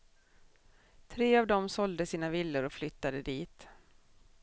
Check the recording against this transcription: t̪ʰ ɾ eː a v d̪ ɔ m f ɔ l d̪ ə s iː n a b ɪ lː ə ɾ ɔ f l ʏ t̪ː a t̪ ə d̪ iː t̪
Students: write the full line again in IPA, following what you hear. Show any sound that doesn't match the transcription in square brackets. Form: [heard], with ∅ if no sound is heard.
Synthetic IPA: t̪ʰ ɾ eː a v d̪ ɔ m [s] ɔ l d̪ ə s iː n a [v] ɪ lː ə ɾ ɔ f l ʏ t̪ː a [d̪] ə d̪ iː t̪